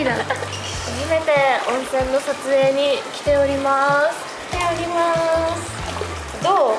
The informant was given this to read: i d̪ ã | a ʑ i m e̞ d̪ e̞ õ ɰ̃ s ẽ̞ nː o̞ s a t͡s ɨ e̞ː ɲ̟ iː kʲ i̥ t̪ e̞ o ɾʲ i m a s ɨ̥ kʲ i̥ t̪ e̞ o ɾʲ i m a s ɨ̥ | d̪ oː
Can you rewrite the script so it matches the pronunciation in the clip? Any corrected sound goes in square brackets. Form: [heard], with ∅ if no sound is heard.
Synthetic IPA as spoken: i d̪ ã | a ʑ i m e̞ [t̪] e̞ õ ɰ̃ s ẽ̞ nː o̞ s a t͡s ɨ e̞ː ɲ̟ [i] kʲ i̥ t̪ e̞ o ɾʲ i m a s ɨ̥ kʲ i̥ t̪ e̞ o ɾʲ i m a s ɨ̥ | d̪ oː